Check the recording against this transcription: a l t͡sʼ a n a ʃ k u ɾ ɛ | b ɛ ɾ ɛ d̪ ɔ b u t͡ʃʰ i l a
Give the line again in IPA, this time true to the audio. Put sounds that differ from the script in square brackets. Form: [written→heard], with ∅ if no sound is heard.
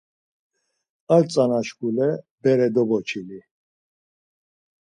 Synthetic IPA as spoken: a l t͡sʼ a n a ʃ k u [ɾ→l] ɛ | b ɛ ɾ ɛ d̪ ɔ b [u→ɔ] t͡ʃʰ i l [a→i]

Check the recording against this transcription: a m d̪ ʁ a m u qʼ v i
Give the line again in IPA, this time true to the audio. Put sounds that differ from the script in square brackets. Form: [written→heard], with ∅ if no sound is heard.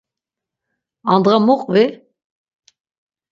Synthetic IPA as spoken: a [m→n] d̪ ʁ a m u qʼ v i

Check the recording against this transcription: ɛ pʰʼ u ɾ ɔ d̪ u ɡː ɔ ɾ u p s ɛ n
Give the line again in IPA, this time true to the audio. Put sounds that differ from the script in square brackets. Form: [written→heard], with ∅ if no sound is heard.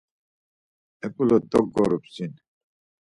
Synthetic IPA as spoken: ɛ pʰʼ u [ɾ→l] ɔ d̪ [u→ɔ] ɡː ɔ ɾ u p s [ɛ→i] n

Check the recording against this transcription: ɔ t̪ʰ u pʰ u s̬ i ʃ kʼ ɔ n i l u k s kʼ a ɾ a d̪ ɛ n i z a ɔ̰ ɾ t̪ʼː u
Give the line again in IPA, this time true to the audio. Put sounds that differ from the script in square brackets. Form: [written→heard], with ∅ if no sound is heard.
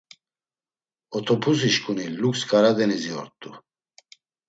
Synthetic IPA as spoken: ɔ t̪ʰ [u→ɔ] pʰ u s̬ i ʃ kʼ [ɔ→u] n i l u k s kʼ a ɾ a d̪ ɛ n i z [a→i] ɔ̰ ɾ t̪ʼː u

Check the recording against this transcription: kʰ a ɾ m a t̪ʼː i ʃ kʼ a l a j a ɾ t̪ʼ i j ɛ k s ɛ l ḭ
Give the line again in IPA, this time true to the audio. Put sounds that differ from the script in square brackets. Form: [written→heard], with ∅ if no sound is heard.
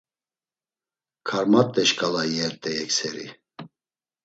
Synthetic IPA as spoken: kʰ a ɾ m a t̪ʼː [i→ɛ] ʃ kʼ a l a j [a→ɛ] ɾ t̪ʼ [i→ɛ] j ɛ k s ɛ [l→ɾ] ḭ

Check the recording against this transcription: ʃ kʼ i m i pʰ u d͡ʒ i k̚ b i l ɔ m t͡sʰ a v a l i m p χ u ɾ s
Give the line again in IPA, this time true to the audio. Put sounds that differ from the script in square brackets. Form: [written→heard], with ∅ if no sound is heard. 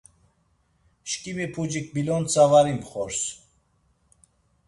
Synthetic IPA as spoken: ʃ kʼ i m i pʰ u d͡ʒ i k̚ b i l ɔ [m→n] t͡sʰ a v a [l→ɾ] i m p χ [u→ɔ] ɾ s

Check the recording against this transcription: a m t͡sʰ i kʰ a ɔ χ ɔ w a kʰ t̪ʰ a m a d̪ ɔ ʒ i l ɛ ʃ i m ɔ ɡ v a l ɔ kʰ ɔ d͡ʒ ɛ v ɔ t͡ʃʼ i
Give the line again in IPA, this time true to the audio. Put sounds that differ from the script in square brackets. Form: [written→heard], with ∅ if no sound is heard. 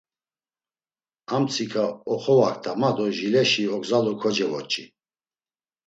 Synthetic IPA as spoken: a m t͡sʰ i kʰ a ɔ χ ɔ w a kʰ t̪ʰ a m a d̪ ɔ ʒ i l ɛ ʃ i [m→∅] ɔ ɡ [v→z] a l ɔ kʰ ɔ d͡ʒ ɛ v ɔ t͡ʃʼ i

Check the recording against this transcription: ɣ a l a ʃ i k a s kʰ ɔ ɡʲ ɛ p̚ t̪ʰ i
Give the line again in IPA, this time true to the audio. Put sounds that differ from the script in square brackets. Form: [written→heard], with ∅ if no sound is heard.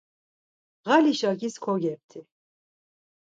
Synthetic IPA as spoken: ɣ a l [a→i] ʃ [i→a] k [a→i] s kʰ ɔ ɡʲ ɛ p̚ t̪ʰ i

